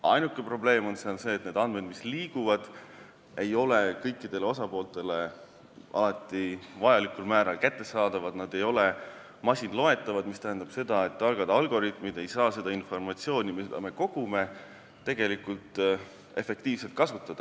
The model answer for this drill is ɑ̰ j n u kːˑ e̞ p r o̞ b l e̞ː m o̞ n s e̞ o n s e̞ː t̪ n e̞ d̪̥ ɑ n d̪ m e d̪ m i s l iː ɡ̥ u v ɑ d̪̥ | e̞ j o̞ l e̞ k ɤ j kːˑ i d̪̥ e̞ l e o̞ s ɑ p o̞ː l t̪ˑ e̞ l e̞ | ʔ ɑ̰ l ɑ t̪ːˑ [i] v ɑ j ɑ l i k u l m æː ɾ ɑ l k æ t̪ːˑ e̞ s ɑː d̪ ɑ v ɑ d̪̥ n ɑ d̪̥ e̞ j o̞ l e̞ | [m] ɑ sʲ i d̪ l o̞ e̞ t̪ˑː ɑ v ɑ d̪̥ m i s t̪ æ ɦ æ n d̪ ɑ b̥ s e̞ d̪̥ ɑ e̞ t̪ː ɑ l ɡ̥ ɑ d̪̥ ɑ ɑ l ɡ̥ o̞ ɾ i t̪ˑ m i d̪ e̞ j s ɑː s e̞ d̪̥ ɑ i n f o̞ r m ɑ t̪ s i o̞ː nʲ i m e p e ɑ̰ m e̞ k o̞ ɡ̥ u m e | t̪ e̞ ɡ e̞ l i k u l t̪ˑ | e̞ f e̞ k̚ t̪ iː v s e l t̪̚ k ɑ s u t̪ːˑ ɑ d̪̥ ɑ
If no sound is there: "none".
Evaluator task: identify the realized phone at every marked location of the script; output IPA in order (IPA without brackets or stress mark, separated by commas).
i, m